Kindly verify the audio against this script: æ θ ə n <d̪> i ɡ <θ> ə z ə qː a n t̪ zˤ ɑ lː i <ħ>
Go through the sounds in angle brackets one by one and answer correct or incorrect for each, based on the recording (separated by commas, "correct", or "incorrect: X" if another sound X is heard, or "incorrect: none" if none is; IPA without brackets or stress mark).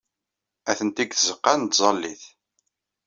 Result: incorrect: t̪, correct, incorrect: θ